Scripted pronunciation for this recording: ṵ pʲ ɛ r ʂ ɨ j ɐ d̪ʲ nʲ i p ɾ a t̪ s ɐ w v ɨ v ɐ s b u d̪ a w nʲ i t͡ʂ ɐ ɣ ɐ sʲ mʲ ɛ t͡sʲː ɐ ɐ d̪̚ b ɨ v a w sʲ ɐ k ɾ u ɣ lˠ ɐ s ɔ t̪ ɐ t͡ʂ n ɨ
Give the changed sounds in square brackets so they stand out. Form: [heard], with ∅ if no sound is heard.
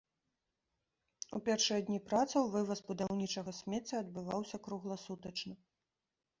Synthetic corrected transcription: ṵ pʲ ɛ r ʂ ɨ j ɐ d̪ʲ nʲ i p ɾ a t̪ s ɐ w v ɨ v ɐ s b u d̪ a w nʲ i t͡ʂ ɐ ɣ ɐ sʲ mʲ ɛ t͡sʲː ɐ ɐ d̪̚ b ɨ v a w sʲ ɐ k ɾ u ɣ lˠ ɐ s [u] t̪ ɐ t͡ʂ n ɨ